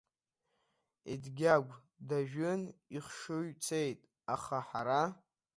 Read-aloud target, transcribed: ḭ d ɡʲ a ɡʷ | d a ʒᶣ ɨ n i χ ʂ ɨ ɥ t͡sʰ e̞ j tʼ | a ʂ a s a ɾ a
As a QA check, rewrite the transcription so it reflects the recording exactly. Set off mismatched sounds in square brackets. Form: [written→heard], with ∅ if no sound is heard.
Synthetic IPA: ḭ d ɡʲ a ɡʷ | d a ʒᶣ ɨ n i χ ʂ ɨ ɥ t͡sʰ e̞ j tʼ | a [ʂ→χ] a [s→ħ] a ɾ a